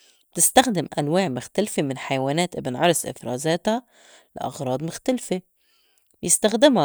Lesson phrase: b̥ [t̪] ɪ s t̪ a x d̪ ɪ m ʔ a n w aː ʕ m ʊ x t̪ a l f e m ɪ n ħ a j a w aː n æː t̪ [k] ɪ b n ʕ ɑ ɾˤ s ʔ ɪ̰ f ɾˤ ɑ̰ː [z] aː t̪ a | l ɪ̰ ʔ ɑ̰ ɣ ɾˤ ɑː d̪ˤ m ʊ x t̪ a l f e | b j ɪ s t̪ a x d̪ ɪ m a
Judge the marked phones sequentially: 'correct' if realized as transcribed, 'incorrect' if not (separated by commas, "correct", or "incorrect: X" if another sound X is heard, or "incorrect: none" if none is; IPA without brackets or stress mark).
correct, incorrect: ʔ, correct